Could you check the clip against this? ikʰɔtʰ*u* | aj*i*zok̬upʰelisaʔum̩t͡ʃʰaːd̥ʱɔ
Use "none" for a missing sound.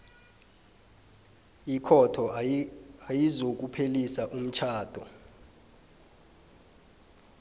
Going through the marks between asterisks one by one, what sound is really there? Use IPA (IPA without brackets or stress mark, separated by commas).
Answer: ɔ, i